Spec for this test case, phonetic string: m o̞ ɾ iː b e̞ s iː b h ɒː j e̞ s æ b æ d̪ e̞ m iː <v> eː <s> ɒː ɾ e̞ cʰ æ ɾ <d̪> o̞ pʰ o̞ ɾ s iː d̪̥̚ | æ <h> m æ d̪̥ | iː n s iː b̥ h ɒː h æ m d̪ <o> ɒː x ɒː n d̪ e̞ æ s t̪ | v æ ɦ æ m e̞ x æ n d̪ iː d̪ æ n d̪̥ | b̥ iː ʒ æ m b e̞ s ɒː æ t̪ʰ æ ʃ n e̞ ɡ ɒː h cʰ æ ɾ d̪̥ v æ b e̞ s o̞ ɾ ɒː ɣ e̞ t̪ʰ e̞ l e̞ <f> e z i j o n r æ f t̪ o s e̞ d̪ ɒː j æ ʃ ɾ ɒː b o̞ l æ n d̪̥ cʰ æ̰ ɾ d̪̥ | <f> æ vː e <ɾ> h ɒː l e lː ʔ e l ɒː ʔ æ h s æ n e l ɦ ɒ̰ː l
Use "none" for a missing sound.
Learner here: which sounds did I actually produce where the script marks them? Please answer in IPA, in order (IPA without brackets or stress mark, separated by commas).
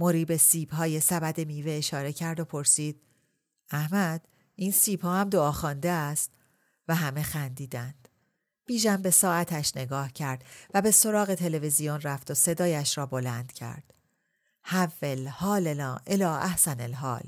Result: v, ʃ, d̪, h, o, v, h, l